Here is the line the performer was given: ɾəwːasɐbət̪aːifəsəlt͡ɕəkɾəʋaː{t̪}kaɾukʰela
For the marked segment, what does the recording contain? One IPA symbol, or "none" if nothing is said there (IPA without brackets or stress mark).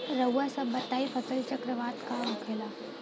t̪